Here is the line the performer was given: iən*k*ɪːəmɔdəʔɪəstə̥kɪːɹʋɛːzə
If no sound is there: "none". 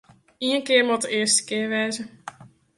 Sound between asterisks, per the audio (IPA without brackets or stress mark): k